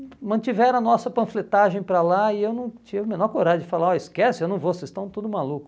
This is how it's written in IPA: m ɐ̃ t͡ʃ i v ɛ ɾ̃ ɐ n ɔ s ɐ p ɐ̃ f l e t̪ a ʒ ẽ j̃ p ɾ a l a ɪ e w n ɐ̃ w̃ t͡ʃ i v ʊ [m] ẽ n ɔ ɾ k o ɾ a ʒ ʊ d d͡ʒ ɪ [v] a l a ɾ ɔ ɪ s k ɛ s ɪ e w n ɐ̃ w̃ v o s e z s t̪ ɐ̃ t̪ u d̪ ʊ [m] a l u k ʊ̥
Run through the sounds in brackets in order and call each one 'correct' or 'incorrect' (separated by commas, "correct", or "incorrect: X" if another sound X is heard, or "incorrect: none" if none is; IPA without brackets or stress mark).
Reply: correct, incorrect: f, correct